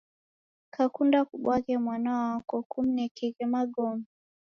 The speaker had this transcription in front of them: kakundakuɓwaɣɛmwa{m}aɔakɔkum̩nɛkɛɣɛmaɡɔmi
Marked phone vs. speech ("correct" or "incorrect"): incorrect